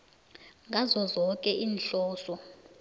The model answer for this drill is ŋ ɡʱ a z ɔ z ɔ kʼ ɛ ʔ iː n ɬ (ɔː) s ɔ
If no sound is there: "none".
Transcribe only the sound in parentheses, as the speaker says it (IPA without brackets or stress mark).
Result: ɔː